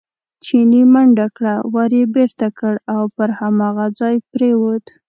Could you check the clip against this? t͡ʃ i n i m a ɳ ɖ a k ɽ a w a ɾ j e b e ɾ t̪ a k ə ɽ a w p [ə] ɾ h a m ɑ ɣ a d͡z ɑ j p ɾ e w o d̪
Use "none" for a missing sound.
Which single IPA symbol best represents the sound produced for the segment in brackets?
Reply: ə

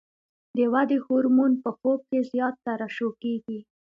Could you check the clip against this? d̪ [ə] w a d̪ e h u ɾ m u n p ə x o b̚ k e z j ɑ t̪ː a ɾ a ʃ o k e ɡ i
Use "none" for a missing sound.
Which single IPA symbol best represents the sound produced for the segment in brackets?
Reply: ə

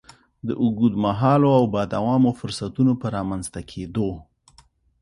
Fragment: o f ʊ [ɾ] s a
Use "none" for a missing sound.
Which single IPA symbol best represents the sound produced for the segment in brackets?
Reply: ɾ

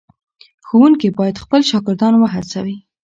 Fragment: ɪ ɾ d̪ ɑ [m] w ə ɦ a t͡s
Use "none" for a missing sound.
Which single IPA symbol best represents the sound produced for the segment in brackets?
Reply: n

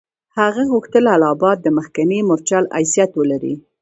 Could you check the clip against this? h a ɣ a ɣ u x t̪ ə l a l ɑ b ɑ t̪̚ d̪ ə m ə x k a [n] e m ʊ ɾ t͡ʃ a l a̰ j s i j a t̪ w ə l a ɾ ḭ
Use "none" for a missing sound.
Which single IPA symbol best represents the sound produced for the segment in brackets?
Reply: n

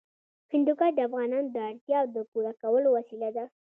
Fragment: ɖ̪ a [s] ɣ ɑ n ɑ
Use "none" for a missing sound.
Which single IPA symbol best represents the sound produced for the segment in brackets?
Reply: f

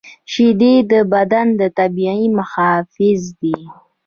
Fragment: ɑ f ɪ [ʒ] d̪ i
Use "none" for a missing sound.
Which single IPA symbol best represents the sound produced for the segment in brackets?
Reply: z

